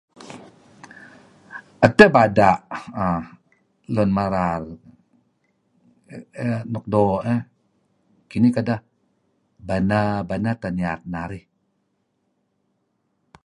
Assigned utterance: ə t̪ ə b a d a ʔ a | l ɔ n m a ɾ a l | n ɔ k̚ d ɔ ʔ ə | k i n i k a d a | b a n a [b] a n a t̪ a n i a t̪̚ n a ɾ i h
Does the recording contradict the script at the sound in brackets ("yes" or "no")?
no